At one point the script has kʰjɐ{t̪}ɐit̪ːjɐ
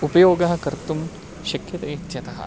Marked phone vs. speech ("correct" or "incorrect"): correct